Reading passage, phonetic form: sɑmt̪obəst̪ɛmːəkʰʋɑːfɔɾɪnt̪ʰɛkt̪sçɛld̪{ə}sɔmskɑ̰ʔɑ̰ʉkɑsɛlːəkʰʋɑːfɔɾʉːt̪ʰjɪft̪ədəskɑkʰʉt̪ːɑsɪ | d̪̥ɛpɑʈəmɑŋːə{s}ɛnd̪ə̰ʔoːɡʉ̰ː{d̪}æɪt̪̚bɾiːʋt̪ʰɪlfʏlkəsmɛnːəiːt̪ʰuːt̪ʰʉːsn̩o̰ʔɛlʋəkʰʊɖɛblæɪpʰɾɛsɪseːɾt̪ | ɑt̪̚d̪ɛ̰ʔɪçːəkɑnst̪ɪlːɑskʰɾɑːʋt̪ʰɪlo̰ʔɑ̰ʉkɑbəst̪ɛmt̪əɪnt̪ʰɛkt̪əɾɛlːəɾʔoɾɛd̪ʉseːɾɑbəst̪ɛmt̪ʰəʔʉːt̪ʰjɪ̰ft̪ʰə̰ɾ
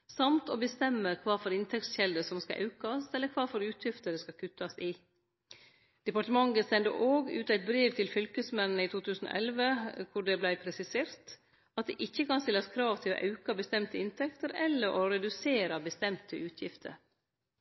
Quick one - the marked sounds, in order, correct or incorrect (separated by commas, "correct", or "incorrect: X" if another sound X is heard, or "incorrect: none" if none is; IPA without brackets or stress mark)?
correct, correct, incorrect: t̪